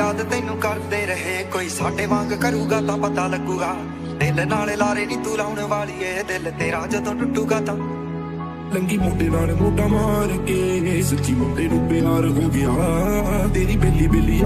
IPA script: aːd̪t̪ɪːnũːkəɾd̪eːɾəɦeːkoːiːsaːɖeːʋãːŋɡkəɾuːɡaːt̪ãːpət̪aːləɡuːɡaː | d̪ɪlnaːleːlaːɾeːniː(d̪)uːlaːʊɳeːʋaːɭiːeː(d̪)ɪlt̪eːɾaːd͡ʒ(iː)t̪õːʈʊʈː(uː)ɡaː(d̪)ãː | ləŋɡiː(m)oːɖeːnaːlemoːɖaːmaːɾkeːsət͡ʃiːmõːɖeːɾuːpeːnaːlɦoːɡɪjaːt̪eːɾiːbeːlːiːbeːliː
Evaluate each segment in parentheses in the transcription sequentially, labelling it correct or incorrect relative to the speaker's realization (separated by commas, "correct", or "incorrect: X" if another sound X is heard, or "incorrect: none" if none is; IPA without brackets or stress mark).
incorrect: t̪, correct, incorrect: aː, correct, incorrect: t̪, correct